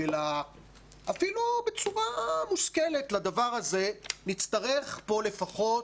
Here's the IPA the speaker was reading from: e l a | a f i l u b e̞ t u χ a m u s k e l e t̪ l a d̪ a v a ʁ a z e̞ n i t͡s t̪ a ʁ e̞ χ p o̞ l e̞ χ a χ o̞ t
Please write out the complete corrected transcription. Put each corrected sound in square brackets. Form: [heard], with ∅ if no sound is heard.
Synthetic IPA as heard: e l a | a f i l u b e̞ [t͡s] u [ʁ] a m u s k e l e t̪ l a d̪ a v a ʁ a z e̞ n i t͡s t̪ a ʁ e̞ χ p o̞ l e̞ [f] a χ o̞ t